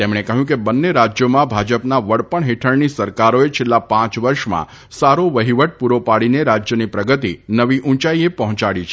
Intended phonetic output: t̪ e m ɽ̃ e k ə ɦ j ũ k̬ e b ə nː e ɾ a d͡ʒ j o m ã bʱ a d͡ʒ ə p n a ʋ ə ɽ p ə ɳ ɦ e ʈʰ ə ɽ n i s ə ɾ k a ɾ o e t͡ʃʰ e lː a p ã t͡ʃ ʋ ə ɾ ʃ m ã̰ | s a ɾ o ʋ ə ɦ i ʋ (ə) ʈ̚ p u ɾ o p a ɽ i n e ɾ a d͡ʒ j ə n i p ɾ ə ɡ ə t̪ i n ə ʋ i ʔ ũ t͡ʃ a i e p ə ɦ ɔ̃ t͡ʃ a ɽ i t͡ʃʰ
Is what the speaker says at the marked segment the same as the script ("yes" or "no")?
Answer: yes